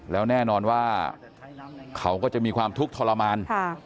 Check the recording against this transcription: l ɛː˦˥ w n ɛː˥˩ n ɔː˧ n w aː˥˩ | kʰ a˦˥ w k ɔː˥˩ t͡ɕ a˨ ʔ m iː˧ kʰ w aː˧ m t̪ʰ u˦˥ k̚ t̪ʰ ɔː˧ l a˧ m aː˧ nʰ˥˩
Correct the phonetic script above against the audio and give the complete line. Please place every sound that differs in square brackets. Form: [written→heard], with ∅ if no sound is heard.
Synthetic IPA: l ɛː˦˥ w n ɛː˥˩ n ɔː˧ n w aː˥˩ | kʰ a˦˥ w k ɔː˥˩ t͡ɕ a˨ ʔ m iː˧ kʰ w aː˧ m t̪ʰ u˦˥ k̚ t̪ʰ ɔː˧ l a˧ m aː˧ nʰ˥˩